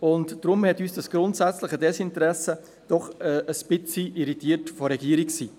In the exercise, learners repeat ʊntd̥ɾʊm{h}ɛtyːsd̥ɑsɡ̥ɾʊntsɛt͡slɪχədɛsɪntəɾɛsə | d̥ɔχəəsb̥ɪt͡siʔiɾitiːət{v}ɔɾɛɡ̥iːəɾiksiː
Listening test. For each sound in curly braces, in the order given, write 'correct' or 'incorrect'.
correct, incorrect: f

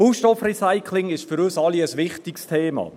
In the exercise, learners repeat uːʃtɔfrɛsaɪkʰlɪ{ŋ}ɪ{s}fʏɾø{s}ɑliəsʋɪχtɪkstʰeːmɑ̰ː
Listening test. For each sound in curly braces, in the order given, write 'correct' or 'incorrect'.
correct, incorrect: ʃ, correct

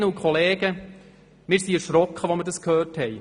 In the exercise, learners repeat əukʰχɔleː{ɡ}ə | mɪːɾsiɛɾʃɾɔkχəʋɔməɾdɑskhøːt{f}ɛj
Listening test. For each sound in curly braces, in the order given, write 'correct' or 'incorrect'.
correct, incorrect: h

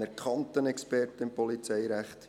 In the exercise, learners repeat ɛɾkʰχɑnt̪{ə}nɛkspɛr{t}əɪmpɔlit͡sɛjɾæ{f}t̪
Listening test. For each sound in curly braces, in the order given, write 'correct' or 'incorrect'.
correct, correct, incorrect: χ

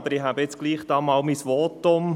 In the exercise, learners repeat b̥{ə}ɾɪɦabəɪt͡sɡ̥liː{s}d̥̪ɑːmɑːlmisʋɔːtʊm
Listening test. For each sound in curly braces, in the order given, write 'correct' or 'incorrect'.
correct, incorrect: χ

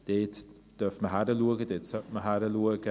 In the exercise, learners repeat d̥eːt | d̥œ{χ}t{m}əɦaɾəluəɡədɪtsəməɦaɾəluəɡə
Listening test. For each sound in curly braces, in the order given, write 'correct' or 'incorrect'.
incorrect: f, correct

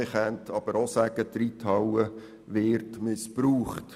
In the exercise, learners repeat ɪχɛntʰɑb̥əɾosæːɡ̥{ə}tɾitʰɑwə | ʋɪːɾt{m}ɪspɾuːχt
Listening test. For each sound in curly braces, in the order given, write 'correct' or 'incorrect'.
correct, correct

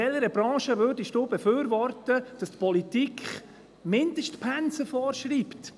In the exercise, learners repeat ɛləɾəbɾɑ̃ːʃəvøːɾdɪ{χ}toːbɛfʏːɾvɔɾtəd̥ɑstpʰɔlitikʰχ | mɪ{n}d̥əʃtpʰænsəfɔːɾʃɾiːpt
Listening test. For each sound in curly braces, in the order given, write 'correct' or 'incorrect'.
incorrect: ʃ, correct

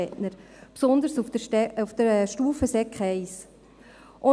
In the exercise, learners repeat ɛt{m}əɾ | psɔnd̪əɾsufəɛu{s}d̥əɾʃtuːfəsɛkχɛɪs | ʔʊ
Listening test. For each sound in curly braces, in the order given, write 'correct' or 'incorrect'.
incorrect: n, incorrect: f

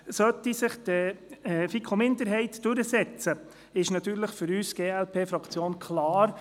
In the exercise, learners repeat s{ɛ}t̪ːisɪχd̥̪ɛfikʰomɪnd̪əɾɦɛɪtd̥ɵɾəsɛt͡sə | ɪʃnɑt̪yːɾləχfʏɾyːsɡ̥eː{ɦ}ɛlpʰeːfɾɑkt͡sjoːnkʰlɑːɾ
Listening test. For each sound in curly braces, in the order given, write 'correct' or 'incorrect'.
incorrect: œ, incorrect: none

